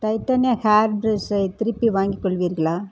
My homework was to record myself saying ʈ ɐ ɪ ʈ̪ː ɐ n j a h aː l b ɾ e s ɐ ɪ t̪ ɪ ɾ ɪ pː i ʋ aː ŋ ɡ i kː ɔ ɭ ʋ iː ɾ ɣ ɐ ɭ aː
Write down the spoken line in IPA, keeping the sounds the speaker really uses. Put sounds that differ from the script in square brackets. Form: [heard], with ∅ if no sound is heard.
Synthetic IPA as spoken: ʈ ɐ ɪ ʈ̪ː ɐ n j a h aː [ɾ] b ɾ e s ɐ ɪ t̪ ɪ ɾ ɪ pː i ʋ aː ŋ ɡ i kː ɔ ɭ ʋ iː ɾ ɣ ɐ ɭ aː